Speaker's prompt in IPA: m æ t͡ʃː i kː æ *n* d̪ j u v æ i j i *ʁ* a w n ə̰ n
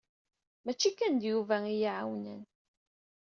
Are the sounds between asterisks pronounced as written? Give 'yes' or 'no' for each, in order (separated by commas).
yes, no